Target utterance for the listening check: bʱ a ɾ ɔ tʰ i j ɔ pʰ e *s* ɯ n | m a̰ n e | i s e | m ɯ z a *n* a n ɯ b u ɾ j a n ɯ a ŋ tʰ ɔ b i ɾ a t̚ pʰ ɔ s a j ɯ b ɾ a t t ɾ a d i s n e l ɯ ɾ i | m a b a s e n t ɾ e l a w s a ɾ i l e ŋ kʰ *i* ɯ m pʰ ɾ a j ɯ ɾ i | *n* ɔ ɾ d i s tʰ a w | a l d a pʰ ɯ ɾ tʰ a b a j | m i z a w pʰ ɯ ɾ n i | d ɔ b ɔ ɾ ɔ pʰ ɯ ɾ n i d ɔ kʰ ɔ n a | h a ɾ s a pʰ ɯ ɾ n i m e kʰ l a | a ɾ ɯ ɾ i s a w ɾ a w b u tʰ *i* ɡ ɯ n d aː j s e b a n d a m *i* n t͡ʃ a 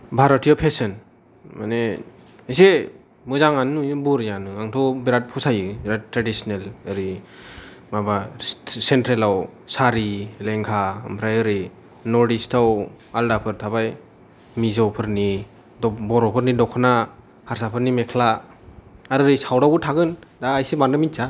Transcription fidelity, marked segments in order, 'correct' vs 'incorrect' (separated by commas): correct, incorrect, incorrect, correct, incorrect, correct